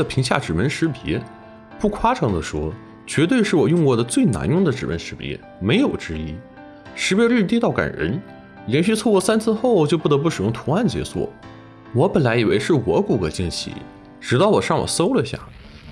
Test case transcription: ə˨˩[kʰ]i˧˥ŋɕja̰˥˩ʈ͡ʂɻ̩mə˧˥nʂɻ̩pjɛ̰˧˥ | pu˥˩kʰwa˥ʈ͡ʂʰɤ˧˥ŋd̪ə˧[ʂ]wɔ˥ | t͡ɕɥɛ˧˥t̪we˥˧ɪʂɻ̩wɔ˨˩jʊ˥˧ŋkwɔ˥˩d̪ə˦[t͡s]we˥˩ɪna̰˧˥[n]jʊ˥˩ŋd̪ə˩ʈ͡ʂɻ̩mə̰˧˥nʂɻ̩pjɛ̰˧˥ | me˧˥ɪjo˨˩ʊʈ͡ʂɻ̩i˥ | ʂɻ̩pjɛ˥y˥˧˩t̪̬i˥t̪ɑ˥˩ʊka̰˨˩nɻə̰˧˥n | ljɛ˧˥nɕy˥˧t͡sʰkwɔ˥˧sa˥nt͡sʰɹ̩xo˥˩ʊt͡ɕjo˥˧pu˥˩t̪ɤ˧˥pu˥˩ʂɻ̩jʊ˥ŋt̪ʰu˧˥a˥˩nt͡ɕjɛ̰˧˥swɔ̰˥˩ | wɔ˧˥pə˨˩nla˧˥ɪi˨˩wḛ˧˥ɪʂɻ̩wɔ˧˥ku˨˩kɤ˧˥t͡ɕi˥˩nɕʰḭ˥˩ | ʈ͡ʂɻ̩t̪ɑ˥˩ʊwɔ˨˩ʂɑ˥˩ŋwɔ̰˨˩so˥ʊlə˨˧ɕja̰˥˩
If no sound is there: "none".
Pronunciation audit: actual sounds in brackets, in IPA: pʰ, ʂ, t͡s, n

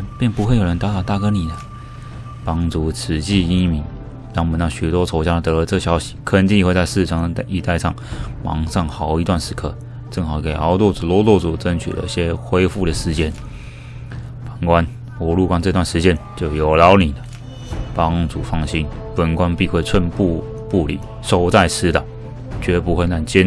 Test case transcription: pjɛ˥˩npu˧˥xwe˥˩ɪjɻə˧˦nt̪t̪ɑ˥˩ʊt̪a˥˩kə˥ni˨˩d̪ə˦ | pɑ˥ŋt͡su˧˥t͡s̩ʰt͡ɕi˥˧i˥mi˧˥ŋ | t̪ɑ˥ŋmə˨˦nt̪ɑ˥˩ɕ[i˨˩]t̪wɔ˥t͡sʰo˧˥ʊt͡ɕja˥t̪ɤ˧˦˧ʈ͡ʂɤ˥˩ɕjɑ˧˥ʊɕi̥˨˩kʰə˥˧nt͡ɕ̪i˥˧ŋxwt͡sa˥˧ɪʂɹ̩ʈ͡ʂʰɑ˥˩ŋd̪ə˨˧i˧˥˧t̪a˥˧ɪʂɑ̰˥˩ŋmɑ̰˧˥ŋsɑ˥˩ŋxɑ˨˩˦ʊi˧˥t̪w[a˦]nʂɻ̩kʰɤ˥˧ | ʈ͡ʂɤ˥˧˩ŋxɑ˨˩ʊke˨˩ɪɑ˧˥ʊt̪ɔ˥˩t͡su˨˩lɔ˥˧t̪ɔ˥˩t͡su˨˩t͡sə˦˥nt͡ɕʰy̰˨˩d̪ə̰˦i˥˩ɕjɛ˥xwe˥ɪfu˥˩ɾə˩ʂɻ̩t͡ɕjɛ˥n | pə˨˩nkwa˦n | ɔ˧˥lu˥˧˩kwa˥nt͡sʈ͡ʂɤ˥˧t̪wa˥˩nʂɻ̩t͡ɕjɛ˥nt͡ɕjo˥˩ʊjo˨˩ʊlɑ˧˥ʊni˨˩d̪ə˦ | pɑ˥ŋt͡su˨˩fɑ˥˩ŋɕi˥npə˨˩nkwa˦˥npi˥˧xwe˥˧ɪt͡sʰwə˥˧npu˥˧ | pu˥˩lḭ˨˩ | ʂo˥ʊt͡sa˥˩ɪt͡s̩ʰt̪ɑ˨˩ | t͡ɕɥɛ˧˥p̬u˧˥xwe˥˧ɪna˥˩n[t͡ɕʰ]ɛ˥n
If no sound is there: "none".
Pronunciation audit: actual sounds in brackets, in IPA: y˨˩, a˥˩, t͡ɕ

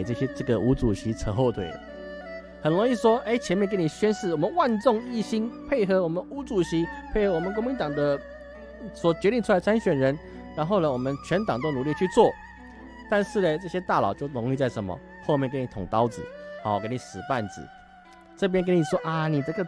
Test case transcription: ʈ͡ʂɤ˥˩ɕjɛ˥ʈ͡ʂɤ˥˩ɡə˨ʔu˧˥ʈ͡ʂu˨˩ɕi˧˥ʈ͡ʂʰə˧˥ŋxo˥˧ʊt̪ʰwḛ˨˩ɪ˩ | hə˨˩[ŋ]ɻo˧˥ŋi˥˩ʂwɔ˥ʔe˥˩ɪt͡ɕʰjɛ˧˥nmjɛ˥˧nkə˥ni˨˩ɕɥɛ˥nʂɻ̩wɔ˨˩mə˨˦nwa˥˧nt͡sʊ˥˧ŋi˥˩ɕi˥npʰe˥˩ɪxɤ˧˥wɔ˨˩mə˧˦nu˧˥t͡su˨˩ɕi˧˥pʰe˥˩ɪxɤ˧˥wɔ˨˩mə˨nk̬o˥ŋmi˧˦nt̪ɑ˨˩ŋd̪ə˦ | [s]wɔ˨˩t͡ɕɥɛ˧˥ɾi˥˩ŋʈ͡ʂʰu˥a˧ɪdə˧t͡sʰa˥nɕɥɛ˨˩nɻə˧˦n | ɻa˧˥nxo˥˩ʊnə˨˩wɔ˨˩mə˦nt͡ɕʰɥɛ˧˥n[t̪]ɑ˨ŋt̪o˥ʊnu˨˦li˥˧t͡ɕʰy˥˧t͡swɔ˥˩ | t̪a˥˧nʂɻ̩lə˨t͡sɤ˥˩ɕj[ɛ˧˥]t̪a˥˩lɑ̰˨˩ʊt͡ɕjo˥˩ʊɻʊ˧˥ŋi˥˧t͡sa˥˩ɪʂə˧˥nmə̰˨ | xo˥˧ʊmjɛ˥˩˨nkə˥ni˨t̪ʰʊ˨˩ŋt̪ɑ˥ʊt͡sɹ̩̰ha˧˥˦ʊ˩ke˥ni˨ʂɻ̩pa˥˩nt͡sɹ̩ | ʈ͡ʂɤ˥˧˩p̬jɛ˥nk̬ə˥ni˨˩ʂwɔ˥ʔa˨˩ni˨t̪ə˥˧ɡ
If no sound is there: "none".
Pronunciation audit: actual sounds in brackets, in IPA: n, s, t̪, ɛ˥

